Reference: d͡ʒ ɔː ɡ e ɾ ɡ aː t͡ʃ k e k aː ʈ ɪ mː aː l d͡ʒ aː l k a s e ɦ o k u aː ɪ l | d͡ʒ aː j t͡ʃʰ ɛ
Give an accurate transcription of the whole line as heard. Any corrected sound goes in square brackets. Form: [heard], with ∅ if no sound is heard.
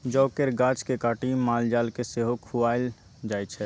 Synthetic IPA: d͡ʒ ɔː [k] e ɾ ɡ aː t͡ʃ k e k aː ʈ [i] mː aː l d͡ʒ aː l k [e] s e ɦ o [kʰ] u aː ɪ l | d͡ʒ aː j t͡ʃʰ ɛ